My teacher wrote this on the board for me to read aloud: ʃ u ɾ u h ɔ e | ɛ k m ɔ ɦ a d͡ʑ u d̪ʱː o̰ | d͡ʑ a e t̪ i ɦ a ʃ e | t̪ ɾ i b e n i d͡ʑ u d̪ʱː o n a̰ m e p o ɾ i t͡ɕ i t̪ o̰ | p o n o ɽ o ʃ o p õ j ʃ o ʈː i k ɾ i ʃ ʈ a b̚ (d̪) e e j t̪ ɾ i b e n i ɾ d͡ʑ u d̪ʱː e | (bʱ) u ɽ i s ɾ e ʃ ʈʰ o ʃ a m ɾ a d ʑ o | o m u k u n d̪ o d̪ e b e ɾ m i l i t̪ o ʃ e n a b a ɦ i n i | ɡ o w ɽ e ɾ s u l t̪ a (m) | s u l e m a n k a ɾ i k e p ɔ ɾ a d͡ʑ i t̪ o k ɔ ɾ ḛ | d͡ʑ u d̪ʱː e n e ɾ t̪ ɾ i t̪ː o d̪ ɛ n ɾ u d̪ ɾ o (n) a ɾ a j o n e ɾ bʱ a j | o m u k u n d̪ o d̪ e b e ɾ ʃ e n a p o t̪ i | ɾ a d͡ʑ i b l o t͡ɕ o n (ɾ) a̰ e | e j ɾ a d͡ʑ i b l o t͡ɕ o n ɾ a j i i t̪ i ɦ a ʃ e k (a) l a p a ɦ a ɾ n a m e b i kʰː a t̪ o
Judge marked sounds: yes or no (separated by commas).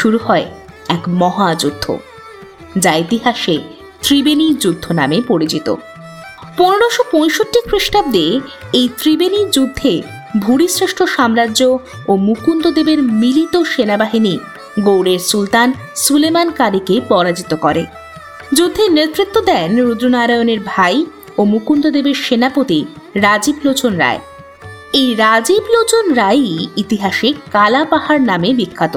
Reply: yes, yes, no, yes, yes, yes